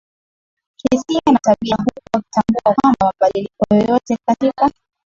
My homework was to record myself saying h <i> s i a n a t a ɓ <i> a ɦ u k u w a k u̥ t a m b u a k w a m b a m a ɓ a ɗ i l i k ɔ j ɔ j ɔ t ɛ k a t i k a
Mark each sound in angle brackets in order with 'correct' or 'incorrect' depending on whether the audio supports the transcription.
correct, correct

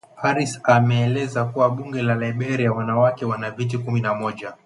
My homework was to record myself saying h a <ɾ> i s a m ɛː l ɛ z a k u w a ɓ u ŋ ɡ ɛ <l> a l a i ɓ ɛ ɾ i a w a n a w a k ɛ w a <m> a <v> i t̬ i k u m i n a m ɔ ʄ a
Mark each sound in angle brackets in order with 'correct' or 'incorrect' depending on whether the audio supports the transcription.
correct, correct, incorrect, correct

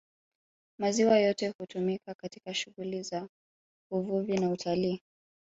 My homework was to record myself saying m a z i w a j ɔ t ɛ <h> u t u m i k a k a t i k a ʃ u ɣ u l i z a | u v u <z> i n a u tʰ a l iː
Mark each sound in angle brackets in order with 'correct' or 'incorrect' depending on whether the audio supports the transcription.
correct, incorrect

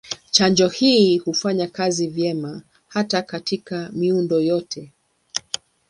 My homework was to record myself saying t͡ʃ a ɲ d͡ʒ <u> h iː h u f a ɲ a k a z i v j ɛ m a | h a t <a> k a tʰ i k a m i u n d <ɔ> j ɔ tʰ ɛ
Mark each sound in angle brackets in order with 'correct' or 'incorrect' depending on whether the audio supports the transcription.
incorrect, correct, correct

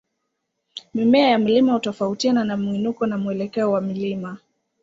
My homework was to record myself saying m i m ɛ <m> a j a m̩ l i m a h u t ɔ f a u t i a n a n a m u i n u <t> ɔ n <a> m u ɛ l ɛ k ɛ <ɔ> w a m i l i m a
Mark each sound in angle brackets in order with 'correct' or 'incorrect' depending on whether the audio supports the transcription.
incorrect, incorrect, correct, correct

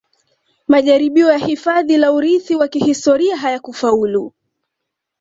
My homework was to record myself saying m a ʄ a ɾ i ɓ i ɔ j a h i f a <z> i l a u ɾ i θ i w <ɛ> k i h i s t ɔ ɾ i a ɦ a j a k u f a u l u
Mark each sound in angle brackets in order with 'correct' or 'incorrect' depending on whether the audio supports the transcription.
incorrect, incorrect

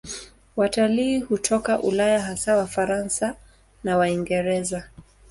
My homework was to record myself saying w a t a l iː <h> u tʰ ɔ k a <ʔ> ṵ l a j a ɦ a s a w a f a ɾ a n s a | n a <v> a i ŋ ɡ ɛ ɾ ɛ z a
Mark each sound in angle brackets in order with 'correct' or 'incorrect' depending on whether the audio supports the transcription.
correct, correct, incorrect

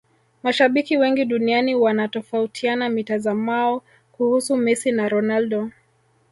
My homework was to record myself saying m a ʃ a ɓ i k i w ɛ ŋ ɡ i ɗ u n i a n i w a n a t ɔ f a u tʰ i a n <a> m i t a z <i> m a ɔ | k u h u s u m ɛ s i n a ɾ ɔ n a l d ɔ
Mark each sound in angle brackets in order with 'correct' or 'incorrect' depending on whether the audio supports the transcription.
correct, incorrect

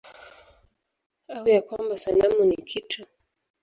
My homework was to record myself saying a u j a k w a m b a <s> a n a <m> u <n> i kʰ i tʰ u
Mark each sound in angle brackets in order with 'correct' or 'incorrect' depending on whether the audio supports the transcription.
correct, correct, correct

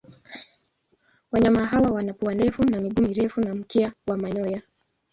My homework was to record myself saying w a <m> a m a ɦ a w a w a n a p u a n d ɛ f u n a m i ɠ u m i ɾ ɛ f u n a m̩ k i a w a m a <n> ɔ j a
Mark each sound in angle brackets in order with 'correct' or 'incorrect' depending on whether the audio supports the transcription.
incorrect, incorrect

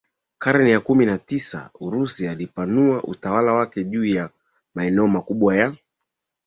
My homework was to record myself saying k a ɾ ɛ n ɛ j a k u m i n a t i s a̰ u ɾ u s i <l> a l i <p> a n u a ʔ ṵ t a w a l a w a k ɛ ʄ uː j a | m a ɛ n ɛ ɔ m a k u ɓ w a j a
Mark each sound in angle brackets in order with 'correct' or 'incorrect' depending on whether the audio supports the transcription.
incorrect, correct

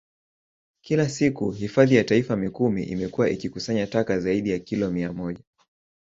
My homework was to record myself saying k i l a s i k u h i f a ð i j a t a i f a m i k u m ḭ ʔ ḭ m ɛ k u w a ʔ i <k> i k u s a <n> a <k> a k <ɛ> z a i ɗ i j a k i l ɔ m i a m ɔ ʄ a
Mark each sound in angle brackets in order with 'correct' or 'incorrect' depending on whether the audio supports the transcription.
correct, incorrect, incorrect, incorrect

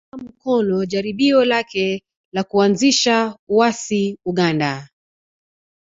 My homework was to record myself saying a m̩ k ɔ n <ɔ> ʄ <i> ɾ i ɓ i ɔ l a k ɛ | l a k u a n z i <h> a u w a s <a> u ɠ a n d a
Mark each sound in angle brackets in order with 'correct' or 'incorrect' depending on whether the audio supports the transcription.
correct, incorrect, incorrect, incorrect

